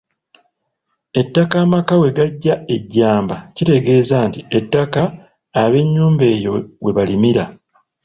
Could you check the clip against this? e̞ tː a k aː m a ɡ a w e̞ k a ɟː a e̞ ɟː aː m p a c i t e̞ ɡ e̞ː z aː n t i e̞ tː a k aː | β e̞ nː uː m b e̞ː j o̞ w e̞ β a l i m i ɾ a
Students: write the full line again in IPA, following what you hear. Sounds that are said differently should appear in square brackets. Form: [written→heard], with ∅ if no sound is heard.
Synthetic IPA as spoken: e̞ tː a k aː m a [ɡ→k] a w e̞ [k→ɡ] a ɟː a e̞ ɟː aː m [p→b] a c i t e̞ ɡ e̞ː z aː n t i e̞ tː a k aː | β e̞ [nː→ɲː] uː m b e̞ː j o̞ w e̞ β a l i m i ɾ a